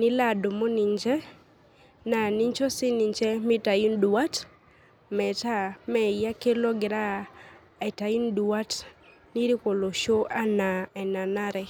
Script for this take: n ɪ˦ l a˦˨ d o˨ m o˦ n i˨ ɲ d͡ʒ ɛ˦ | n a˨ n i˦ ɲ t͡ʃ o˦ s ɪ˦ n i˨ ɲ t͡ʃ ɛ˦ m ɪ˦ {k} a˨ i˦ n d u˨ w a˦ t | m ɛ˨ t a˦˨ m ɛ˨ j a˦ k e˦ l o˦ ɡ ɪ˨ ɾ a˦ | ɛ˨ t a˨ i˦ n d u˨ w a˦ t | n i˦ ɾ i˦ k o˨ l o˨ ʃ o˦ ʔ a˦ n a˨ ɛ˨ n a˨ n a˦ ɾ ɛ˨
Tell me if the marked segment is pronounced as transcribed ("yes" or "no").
no